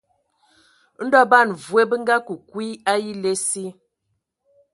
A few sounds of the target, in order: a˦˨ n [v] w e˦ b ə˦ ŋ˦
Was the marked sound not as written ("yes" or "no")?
no